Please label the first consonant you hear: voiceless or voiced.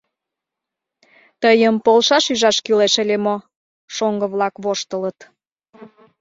voiceless